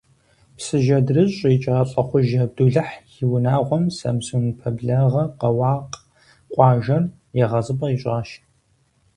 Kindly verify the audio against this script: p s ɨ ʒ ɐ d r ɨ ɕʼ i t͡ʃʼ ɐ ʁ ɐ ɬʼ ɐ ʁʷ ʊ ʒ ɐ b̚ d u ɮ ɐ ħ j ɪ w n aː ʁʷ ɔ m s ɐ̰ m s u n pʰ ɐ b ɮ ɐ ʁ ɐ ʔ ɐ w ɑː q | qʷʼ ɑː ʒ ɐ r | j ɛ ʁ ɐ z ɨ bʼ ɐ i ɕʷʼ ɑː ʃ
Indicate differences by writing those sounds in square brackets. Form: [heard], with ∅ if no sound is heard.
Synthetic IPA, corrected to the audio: p s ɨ ʒ ɐ d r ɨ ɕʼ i t͡ʃʼ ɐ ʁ ɐ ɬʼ ɐ [χʷ] ʊ ʒ ɐ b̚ d u ɮ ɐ ħ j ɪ w n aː ʁʷ ɔ m s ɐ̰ m s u n pʰ ɐ b ɮ ɐ ʁ ɐ [q] ɐ w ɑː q | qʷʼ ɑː ʒ ɐ r | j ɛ ʁ ɐ z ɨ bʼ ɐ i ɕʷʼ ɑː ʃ